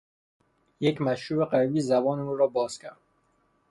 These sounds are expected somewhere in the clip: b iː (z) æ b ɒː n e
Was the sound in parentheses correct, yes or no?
yes